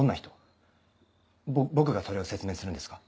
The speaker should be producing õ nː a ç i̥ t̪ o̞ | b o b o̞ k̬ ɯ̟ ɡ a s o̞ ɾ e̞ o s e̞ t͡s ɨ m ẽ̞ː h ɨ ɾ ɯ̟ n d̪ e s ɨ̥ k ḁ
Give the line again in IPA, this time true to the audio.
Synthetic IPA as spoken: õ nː a ç i̥ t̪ o̞ | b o b o̞ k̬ ɯ̟ ɡ a s o̞ ɾ e̞ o s e̞ t͡s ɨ m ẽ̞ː s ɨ ɾ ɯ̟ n d̪ e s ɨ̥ k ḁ